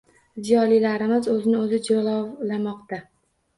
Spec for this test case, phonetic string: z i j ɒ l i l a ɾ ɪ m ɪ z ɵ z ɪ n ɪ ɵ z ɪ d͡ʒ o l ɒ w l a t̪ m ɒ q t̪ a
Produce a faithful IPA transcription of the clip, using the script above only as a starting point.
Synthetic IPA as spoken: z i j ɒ l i l a ɾ ɪ m ɪ z ɵ z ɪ n ɪ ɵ z ɪ d͡ʒ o l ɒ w l a m ɒ q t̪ a